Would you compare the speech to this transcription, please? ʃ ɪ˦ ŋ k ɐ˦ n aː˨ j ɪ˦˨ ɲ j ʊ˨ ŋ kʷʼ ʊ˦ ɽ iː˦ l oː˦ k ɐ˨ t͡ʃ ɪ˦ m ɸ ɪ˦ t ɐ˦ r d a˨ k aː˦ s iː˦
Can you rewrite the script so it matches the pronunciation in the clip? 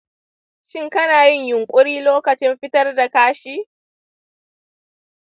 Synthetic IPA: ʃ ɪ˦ ŋ k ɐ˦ n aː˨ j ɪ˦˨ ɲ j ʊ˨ ŋ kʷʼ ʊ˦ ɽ iː˦ l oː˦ k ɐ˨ t͡ʃ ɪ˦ m ɸ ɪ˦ t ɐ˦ r d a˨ k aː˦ ʃ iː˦